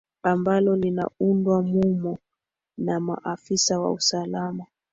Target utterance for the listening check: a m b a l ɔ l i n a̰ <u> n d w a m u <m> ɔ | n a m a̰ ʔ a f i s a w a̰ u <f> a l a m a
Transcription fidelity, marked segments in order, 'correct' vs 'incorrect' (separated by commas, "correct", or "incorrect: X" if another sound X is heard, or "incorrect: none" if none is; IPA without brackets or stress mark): correct, correct, incorrect: s